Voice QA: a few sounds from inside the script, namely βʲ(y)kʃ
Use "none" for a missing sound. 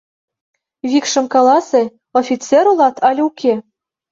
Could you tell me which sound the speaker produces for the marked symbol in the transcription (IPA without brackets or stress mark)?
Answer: i